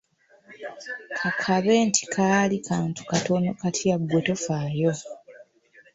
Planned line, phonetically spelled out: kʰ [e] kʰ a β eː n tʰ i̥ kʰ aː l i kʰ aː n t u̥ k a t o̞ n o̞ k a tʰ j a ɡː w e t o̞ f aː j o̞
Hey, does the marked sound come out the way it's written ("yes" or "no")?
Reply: no